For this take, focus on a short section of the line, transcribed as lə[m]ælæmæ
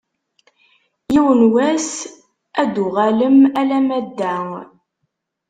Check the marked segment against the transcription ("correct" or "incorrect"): correct